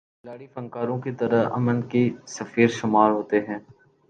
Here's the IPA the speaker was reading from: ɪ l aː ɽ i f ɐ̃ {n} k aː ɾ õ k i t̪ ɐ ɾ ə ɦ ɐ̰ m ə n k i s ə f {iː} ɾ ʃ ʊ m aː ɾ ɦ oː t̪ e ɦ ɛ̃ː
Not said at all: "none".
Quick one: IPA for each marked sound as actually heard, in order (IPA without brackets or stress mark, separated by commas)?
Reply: ŋ, iː